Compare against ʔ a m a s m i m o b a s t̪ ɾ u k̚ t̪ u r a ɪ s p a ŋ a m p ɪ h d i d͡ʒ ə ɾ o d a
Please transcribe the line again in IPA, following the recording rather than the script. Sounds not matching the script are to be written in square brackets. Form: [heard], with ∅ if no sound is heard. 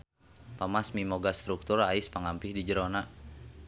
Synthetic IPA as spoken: [p] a m a s m i m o [ɡ] a s t̪ ɾ u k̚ t̪ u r a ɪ s p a ŋ a m p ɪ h d i d͡ʒ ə ɾ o [n] a